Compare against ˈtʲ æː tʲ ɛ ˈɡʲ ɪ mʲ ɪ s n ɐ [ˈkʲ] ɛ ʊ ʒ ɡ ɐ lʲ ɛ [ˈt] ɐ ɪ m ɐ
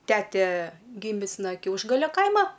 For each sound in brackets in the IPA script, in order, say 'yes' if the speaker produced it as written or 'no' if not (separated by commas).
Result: yes, no